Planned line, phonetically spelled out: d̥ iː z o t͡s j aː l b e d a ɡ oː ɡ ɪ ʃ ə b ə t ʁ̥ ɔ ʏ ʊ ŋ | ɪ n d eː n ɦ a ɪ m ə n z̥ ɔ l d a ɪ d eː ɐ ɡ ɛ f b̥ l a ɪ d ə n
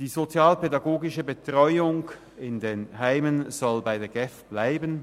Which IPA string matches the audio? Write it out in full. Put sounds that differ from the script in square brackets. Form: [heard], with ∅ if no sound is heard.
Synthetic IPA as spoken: d̥ iː z o t͡s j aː l [p] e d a ɡ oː ɡ ɪ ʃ ə b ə t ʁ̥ ɔ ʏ ʊ ŋ | ɪ n d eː n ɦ a ɪ m ə n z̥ ɔ l [b] a ɪ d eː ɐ ɡ ɛ f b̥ l a ɪ [b] ə n